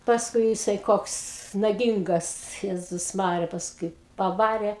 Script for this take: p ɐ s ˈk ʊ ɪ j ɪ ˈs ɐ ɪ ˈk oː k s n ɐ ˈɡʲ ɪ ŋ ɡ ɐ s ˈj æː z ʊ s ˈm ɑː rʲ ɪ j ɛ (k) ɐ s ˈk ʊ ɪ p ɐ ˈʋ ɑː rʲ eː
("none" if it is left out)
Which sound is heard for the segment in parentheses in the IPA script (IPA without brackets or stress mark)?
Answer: p